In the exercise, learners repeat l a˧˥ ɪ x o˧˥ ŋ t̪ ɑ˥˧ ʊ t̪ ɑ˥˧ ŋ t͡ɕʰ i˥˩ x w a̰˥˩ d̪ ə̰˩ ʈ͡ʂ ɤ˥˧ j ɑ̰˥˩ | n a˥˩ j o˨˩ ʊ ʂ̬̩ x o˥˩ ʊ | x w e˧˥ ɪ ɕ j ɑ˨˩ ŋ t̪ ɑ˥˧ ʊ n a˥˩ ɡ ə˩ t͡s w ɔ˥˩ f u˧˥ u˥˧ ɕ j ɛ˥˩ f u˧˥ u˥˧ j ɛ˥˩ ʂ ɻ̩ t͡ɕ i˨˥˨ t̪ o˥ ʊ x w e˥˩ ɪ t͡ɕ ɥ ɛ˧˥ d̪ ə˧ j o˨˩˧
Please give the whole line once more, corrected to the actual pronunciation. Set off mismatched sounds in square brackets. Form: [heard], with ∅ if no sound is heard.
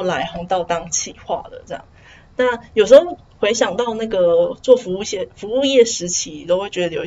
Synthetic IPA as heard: l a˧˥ ɪ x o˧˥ ŋ t̪ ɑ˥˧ ʊ t̪ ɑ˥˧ ŋ t͡ɕʰ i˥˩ x w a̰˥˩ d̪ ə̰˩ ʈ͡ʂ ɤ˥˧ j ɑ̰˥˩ | n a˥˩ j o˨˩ ʊ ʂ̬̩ x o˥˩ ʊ | x w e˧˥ ɪ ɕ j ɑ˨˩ ŋ t̪ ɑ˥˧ ʊ n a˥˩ ɡ ə˩ t͡s w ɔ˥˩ f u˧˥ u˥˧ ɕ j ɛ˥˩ f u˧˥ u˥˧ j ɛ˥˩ ʂ ɻ̩ [t͡ɕʰ] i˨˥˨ t̪ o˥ ʊ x w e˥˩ ɪ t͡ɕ ɥ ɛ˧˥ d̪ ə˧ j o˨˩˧